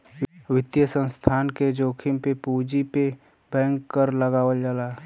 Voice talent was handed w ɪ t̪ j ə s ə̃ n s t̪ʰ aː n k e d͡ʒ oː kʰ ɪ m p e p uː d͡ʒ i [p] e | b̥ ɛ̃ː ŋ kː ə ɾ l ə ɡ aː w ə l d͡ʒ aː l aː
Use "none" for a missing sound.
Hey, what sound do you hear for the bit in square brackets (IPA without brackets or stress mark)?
p